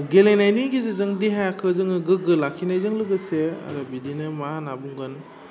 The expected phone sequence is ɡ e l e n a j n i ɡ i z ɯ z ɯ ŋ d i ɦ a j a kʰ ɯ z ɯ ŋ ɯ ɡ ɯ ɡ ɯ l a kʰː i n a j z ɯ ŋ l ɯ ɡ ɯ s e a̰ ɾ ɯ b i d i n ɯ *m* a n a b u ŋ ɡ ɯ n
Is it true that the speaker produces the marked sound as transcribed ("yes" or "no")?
yes